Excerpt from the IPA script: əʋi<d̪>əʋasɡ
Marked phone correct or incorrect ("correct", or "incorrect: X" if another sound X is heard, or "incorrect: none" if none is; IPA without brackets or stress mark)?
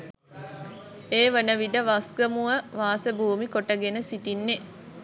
correct